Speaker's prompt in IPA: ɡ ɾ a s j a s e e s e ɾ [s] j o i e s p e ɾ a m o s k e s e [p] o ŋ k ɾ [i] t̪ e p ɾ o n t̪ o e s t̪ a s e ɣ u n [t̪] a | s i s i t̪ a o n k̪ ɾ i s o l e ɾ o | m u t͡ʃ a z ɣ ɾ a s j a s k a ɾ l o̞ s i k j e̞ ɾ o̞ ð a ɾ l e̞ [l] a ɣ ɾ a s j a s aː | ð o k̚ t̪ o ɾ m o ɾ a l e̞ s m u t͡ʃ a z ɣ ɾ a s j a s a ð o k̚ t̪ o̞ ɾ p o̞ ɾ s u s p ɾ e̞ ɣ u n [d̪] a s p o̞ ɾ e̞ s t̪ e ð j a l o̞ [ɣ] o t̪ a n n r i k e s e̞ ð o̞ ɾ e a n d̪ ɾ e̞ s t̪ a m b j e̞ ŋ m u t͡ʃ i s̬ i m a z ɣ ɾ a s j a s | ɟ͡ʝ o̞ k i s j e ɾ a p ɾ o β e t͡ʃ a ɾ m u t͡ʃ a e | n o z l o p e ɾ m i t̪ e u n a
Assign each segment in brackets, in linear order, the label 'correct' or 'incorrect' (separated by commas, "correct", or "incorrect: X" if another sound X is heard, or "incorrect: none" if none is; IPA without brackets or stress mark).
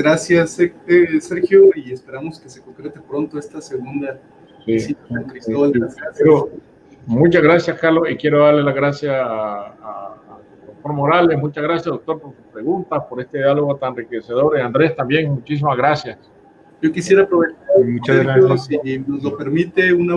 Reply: incorrect: x, incorrect: k, incorrect: e, incorrect: d̪, correct, incorrect: t̪, correct